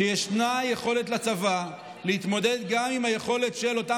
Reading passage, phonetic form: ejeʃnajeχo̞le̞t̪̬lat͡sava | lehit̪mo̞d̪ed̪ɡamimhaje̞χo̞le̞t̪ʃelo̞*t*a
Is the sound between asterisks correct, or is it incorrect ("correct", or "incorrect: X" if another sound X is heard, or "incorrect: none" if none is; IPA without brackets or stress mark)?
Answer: correct